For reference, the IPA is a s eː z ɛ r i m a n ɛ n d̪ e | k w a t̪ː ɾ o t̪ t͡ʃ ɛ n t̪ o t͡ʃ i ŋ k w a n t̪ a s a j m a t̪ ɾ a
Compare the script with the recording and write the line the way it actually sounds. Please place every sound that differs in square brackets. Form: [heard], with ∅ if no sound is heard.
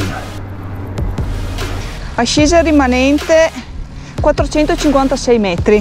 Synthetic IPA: a [ʃ] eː z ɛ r i m a n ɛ n [t̪] e | k w a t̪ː ɾ o [∅] t͡ʃ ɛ n t̪ o t͡ʃ i ŋ k w a n t̪ a s [ɛ] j m [ɛ] t̪ ɾ [i]